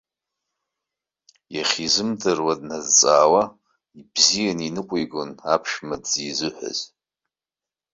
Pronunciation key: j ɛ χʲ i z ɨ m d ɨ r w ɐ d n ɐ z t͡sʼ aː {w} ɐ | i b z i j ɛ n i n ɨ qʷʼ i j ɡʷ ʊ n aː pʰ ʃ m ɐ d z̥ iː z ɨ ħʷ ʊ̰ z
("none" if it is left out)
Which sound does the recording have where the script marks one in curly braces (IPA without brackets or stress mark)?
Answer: w